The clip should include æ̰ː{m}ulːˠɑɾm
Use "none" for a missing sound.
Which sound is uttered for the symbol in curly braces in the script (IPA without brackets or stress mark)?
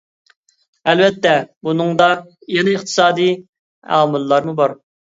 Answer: m